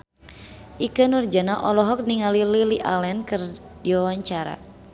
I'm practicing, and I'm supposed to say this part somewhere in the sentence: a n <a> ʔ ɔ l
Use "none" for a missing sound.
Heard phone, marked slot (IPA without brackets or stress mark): a